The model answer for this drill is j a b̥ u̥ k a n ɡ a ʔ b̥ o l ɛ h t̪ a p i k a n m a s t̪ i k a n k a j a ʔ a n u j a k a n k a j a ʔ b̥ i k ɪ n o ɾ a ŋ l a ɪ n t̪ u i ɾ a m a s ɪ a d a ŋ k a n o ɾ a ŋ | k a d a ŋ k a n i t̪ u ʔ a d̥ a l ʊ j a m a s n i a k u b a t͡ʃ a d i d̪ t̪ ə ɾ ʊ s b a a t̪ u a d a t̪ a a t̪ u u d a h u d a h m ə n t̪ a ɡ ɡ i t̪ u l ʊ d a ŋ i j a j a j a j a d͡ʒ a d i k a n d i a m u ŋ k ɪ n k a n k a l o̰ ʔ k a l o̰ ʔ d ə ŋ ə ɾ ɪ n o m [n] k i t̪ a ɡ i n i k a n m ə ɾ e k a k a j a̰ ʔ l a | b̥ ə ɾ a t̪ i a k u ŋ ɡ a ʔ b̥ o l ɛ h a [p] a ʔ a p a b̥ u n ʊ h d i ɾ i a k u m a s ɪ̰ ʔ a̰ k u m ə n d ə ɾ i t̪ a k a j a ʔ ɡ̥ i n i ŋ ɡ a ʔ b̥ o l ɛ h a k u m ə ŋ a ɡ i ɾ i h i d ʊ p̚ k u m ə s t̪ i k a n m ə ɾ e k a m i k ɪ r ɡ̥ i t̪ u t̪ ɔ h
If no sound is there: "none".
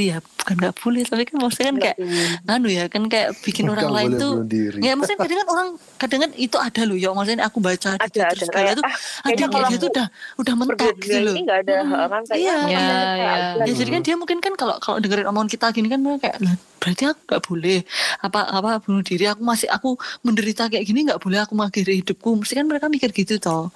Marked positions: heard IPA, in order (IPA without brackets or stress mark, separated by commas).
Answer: n, p